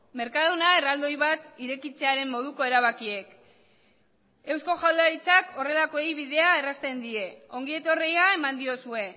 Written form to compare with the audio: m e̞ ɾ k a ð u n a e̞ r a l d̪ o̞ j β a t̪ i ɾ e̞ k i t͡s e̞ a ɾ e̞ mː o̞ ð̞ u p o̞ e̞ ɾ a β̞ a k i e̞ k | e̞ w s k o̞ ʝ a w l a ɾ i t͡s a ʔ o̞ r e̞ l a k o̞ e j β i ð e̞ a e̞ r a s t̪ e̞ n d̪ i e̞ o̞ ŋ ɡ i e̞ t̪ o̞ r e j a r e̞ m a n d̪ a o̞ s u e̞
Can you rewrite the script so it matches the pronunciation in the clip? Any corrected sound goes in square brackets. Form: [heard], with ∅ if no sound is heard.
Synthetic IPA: m e̞ ɾ k a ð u n a e̞ r a l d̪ o̞ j β a t̪ i ɾ e̞ k i t͡s e̞ a ɾ e̞ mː o̞ ð̞ u [k] o̞ e̞ ɾ a β̞ a k i e̞ k | e̞ w s k o̞ ʝ a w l a ɾ i t͡s a [k] o̞ r e̞ l a k o̞ e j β i ð e̞ a e̞ r a s t̪ e̞ n d̪ i e̞ o̞ ŋ ɡ i e̞ t̪ o̞ r e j a [∅] e̞ m a n d̪ [i] o̞ s u e̞